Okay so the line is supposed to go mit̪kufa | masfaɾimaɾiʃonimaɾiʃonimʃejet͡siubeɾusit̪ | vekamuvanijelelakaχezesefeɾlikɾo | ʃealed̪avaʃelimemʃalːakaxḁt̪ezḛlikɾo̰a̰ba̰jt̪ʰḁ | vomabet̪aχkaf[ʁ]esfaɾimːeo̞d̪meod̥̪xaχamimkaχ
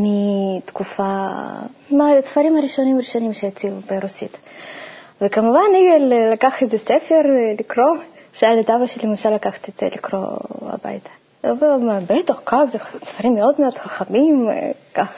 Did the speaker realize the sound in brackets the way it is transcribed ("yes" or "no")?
no